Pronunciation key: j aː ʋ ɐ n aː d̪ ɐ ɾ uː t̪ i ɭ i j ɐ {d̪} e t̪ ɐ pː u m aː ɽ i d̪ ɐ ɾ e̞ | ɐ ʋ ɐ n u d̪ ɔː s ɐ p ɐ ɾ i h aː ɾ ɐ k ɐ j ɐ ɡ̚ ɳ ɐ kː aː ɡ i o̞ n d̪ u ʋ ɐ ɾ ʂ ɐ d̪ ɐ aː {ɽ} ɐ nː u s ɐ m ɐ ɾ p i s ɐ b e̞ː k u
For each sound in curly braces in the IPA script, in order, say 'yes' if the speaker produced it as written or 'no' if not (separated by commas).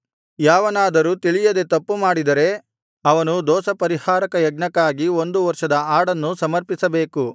yes, yes